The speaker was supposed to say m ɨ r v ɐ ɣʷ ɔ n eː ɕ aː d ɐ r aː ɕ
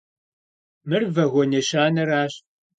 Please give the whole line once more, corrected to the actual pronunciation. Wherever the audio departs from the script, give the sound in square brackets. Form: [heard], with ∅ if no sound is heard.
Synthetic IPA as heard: m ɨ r v ɐ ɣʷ ɔ n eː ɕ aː [n] ɐ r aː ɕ